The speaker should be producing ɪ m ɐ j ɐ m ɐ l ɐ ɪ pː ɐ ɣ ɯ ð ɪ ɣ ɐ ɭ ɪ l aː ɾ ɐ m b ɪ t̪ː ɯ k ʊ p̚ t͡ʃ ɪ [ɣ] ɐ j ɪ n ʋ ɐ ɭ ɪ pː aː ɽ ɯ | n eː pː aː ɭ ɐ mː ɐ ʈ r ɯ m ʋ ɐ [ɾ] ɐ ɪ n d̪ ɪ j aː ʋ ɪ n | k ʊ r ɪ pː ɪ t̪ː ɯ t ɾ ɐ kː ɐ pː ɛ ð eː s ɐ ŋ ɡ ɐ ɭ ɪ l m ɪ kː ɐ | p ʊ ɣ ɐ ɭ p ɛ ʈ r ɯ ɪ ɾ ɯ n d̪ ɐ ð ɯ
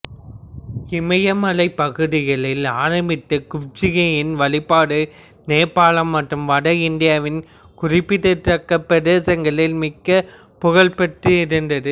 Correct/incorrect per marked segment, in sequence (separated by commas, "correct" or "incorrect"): correct, incorrect